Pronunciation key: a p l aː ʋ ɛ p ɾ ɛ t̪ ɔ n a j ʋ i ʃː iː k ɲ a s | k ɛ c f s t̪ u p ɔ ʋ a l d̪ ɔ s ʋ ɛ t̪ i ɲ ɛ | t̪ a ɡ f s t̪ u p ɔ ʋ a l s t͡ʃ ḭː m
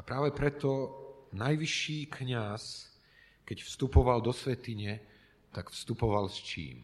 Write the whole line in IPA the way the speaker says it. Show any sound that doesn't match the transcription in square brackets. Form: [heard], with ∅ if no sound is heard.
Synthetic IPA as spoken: a p [ɾ] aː ʋ ɛ p ɾ ɛ t̪ ɔ n a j ʋ i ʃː iː k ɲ a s | k ɛ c f s t̪ u p ɔ ʋ a l d̪ ɔ s ʋ ɛ t̪ i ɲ ɛ | t̪ a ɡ f s t̪ u p ɔ ʋ a l s t͡ʃ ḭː m